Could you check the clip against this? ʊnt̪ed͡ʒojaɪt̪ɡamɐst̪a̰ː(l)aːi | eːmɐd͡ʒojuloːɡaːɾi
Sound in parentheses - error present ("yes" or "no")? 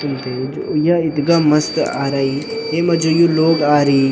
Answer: yes